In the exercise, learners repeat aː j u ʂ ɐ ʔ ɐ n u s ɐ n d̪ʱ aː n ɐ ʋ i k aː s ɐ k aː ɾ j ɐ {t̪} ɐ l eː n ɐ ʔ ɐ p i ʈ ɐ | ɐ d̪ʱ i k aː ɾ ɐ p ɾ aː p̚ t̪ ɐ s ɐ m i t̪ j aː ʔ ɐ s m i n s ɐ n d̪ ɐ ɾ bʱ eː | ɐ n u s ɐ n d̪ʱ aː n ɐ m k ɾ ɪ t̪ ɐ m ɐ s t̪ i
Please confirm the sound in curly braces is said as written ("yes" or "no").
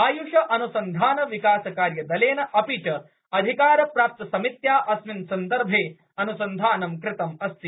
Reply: no